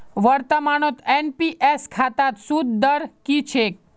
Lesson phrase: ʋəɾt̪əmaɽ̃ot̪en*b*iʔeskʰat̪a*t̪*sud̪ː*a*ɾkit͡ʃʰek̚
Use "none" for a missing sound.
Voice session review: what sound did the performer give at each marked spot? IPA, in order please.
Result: p, t̪, ə

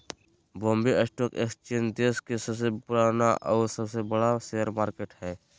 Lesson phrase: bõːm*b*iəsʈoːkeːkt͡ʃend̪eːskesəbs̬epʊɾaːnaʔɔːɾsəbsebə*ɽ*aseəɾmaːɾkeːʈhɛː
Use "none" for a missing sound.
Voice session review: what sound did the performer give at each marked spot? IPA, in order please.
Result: b, ɽ

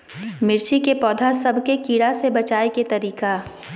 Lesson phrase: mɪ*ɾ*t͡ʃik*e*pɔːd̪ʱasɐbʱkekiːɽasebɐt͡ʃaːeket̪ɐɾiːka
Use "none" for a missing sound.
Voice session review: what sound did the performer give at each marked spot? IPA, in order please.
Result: ɾ, e

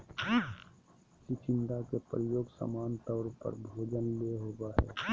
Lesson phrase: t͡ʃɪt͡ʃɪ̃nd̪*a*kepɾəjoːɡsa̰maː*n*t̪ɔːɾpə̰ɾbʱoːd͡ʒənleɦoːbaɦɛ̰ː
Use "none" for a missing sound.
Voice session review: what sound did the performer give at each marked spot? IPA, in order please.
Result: a, n

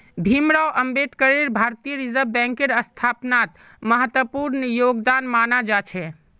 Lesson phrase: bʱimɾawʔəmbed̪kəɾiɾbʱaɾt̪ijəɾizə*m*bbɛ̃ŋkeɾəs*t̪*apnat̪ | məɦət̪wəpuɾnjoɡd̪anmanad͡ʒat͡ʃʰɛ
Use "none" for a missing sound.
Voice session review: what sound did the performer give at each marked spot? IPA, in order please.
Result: none, t̪ʰ

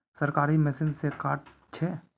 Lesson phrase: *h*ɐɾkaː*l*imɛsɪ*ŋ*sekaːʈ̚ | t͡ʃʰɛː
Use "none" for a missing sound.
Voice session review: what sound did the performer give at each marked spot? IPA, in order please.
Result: s, ɾ, n

